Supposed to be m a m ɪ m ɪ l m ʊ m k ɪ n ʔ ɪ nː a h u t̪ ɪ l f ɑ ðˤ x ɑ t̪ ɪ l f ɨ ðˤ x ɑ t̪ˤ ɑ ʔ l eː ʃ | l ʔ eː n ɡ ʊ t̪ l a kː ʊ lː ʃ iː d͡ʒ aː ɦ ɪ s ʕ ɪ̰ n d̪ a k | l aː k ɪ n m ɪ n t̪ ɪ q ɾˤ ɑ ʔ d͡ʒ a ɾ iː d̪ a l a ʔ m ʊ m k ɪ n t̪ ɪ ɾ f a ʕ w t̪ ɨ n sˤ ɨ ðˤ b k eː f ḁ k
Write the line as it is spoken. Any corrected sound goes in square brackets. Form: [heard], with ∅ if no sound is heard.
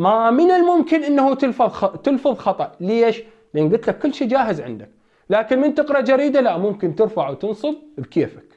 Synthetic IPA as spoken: m a m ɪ [n] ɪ l m ʊ m k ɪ n ʔ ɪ nː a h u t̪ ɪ l f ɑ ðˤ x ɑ t̪ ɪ l f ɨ ðˤ x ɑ t̪ˤ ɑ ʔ l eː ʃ | l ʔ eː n ɡ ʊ t̪ l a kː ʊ lː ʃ iː d͡ʒ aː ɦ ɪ [z] ʕ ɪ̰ n d̪ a k | l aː k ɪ n m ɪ n t̪ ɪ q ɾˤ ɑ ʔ d͡ʒ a ɾ iː d̪ a l a ʔ m ʊ m k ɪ n t̪ ɪ ɾ f a ʕ w t̪ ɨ n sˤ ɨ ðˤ b k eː f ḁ k

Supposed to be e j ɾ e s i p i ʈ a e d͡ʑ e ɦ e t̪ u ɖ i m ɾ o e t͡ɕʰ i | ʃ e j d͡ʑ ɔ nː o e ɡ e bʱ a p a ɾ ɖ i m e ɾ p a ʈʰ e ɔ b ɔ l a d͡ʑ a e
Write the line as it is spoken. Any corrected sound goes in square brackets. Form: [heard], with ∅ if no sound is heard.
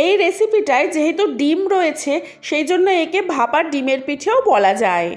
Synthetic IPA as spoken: e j ɾ e s i p i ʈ a e d͡ʑ e ɦ e t̪ u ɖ i m ɾ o e t͡ɕʰ [e] | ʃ e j d͡ʑ [o] nː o e [k] e bʱ a p a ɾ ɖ i m e ɾ p [i] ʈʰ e [o] b ɔ l a d͡ʑ a e

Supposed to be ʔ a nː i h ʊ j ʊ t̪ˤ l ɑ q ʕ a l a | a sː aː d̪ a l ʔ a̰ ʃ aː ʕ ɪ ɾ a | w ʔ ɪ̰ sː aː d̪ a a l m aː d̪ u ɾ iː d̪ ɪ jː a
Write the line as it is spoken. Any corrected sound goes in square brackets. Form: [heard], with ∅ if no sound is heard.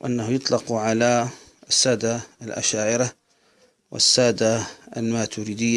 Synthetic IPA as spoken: ʔ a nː [a] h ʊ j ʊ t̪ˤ l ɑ q ʕ a l a | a sː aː d̪ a l ʔ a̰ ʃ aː ʕ ɪ ɾ a | w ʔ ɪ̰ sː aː d̪ a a l m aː [t̪] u ɾ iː d̪ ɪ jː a

